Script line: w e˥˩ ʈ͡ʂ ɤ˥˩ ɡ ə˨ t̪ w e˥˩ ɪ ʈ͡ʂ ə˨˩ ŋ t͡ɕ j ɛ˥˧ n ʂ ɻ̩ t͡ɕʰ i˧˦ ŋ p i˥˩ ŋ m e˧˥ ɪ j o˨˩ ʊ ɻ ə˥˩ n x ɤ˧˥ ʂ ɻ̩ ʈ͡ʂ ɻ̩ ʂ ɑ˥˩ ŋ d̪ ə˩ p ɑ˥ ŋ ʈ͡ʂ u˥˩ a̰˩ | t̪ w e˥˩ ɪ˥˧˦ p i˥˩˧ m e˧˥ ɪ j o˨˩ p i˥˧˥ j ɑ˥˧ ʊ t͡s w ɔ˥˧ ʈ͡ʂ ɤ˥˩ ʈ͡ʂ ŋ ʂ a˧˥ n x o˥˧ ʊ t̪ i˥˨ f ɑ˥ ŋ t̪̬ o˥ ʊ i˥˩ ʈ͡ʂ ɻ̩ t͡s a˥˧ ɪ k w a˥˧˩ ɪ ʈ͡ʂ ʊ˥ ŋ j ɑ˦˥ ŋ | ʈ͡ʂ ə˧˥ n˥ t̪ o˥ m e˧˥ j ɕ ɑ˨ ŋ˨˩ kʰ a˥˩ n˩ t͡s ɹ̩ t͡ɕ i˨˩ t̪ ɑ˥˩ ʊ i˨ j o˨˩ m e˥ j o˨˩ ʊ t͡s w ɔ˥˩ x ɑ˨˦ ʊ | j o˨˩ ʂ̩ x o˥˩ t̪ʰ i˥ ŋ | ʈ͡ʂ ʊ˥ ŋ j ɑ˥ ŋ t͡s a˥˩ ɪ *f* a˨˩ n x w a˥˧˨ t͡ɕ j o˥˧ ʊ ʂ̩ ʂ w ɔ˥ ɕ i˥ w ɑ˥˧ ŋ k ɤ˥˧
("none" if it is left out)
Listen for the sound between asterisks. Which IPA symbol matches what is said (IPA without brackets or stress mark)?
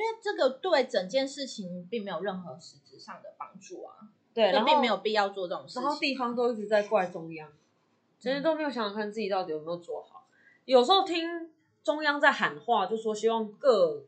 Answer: x